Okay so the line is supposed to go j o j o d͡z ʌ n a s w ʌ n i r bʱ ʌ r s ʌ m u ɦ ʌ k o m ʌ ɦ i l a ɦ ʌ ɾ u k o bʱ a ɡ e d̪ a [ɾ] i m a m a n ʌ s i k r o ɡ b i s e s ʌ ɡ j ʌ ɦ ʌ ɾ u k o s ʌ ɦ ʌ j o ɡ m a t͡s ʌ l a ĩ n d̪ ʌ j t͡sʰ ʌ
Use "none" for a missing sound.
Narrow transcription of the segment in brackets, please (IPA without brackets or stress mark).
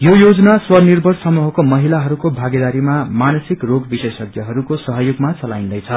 ɾ